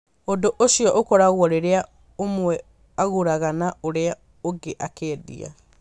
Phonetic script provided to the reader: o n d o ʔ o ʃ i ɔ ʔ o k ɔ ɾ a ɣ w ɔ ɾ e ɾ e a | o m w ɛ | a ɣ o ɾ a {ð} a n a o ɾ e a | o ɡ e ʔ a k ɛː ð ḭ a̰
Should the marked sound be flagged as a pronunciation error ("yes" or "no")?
yes